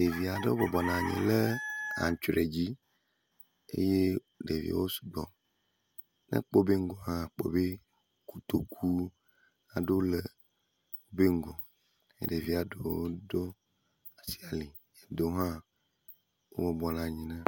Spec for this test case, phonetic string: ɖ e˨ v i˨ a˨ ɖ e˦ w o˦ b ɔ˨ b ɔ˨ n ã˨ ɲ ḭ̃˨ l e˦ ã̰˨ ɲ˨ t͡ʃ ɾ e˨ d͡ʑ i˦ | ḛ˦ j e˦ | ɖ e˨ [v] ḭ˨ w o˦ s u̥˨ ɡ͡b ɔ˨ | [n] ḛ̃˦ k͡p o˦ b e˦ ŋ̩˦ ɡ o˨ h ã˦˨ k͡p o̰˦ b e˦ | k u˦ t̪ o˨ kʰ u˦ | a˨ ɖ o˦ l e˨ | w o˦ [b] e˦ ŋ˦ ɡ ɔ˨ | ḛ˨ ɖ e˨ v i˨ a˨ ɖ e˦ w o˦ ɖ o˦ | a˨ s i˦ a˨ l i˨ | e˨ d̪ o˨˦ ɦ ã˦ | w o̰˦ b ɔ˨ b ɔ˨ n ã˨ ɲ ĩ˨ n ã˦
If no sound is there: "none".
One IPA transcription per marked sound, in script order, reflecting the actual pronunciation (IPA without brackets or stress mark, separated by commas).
v, n, b